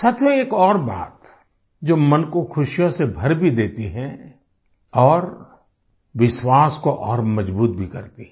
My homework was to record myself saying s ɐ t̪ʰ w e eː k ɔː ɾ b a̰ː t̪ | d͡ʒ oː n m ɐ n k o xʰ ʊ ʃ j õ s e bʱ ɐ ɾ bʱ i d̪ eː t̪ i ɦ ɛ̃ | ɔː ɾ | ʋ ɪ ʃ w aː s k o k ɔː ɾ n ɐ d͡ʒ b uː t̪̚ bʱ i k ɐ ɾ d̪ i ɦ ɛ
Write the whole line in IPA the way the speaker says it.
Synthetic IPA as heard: s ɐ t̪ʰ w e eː k ɔː ɾ b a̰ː t̪ | d͡ʒ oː m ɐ n k o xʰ ʊ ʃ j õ s e bʱ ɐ ɾ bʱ i d̪ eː t̪ i ɦ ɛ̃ | ɔː ɾ | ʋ ɪ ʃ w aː s k o ʔ ɔː ɾ m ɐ d͡ʒ b uː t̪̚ bʱ i k ɐ ɾ t̪ i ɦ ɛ